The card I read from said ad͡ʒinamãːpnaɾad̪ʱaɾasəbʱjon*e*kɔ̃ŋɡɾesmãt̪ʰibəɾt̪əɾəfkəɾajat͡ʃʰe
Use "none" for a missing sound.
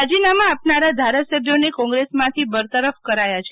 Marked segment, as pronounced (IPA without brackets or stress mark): e